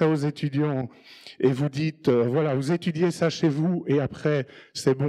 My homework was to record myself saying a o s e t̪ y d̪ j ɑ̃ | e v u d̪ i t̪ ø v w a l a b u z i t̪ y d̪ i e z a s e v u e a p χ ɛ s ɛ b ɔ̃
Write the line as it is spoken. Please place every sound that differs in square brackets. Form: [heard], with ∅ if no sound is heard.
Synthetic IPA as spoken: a o [z] e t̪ y d̪ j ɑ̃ | e v u d̪ i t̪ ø v w a l a [v] u z [e] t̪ y d̪ [j] e [s] a [ʃ] e v u e a p χ ɛ s ɛ b ɔ̃